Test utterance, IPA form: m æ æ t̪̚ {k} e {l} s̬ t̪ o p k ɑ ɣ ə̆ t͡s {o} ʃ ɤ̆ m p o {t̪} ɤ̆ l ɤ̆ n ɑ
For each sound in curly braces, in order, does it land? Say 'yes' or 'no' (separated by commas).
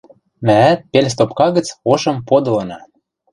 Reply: no, yes, yes, no